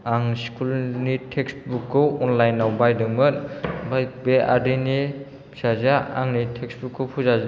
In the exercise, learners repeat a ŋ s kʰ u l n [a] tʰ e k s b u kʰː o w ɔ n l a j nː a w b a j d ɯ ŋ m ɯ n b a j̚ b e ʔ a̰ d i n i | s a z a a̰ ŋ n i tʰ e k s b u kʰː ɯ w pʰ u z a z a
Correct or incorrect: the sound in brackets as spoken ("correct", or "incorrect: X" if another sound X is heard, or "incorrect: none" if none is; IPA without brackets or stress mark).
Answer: incorrect: i